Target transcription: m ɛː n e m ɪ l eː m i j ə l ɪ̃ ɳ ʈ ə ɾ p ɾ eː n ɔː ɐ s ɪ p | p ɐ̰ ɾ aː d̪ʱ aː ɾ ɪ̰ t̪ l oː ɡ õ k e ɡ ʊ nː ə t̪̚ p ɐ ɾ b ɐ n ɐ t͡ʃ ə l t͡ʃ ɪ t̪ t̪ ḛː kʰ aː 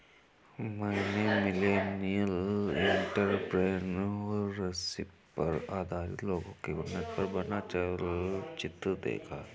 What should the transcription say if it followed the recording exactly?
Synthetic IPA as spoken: m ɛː n e m ɪ l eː n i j ə l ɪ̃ ɳ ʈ ə ɾ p ɾ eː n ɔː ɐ s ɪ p | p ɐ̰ ɾ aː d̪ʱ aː ɾ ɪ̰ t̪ l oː ɡ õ k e ɡ ʊ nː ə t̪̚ p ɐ ɾ b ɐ n a t͡ʃ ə l t͡ʃ ɪ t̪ d̪ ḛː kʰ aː